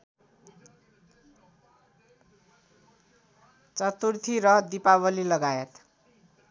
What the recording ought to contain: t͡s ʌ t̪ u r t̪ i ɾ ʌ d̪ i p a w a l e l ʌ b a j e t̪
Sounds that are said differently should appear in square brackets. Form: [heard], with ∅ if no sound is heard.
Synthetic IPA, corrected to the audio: t͡s ʌ t̪ u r [t̪ʰ] i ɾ ʌ d̪ i p a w [ʌ] l [i] l ʌ [ɡ] a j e t̪